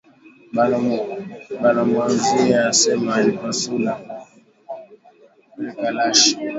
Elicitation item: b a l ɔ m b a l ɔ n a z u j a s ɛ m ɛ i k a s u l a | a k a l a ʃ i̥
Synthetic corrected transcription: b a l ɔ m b a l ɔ m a z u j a s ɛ m a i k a s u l a | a k a l a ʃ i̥